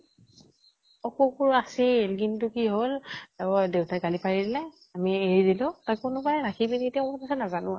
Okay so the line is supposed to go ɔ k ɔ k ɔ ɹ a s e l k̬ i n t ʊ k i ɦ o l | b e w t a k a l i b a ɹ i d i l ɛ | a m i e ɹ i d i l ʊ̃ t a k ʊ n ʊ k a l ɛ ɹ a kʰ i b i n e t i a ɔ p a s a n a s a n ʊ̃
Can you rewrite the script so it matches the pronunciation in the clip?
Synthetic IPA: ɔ k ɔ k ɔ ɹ a s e l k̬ i n t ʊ k i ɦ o l | d e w t a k a l i p a ɹ i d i l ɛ | a m i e ɹ i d i l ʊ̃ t a k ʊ n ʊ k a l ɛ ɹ a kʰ i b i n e t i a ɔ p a s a n a z a n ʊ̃